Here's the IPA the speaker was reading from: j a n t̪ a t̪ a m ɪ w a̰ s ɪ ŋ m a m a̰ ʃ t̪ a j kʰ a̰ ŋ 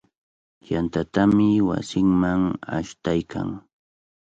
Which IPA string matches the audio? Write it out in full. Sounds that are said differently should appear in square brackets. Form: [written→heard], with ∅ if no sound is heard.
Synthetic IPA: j a n t̪ a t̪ a m ɪ w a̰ s ɪ ŋ m a [m→ŋ] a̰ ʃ t̪ a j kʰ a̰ ŋ